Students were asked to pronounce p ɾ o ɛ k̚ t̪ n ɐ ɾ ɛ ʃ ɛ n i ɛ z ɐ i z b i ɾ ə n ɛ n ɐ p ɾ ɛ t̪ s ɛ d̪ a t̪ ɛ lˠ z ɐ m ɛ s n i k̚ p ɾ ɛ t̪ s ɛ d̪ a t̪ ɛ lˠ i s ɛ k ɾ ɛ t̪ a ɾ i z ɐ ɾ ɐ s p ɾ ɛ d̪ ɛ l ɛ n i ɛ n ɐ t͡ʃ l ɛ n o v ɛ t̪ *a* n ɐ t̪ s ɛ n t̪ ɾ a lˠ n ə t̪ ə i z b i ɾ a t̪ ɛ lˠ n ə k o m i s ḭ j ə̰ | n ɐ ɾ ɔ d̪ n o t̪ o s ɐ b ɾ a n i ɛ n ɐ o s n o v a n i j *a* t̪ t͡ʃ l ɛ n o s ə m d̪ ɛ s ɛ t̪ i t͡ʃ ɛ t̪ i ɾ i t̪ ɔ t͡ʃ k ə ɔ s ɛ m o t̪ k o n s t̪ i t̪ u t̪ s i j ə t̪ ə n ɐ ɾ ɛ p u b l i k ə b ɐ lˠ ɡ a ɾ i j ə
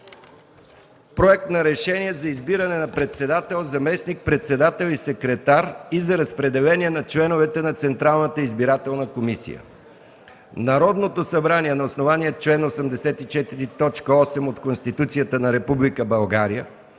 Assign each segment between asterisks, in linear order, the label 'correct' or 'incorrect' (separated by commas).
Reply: incorrect, incorrect